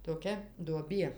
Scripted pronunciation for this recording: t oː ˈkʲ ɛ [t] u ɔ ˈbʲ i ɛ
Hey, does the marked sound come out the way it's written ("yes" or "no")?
no